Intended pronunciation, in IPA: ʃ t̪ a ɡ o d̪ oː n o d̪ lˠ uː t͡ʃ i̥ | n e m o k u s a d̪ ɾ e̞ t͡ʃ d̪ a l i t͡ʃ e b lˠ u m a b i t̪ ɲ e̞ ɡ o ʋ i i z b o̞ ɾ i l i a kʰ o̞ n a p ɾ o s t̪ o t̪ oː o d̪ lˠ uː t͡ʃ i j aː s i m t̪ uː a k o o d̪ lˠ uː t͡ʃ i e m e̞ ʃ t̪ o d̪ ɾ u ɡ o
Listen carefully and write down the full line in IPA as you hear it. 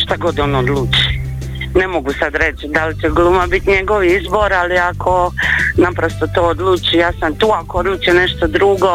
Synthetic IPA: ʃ t̪ a ɡ o d̪ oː n o d̪ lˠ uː t͡ʃ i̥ | n e m o ɡ u s a d̪ ɾ e̞ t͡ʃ d̪ a l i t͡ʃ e ɡ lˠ u m a b i t̪ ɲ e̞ ɡ o ʋ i i z b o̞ ɾ a l i a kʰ o̞ n a p ɾ o s t̪ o t̪ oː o d̪ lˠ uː t͡ʃ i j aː s a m t̪ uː a k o o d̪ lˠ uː t͡ʃ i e n e̞ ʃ t̪ o d̪ ɾ u ɡ o